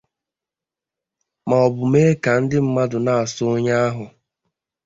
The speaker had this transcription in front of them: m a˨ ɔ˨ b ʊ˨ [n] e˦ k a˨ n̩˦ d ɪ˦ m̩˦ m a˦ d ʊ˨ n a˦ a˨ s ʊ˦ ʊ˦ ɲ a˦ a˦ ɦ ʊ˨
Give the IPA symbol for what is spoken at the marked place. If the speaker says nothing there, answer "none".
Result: m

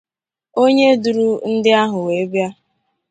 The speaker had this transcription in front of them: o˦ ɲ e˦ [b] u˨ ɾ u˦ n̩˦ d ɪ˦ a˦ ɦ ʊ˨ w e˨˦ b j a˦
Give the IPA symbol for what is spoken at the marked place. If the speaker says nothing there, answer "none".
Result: d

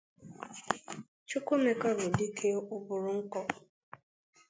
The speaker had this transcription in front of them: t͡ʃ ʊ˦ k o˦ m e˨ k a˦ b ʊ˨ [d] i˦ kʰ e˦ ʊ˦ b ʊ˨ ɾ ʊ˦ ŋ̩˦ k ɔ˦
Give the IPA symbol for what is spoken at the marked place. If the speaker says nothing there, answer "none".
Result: d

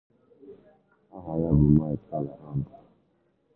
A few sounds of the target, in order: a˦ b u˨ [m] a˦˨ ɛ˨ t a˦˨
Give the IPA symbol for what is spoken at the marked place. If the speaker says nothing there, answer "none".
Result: m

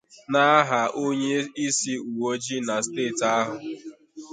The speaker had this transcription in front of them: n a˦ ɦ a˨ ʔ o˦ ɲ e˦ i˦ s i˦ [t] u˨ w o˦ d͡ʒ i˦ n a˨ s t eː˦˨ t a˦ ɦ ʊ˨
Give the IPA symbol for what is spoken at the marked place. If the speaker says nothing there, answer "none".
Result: none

